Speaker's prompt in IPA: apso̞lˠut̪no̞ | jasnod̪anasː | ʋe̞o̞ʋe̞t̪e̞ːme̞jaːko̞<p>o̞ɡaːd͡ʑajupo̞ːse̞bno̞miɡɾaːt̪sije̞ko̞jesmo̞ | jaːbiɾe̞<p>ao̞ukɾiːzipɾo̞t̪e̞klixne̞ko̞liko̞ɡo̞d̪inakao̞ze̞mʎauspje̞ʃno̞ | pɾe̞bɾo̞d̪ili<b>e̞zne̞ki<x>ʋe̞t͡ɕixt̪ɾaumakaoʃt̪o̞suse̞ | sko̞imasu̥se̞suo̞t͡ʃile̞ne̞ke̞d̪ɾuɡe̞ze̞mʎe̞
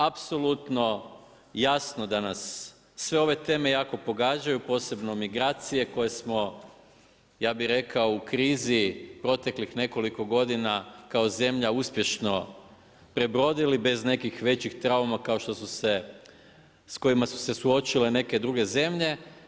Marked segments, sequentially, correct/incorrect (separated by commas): correct, incorrect, correct, correct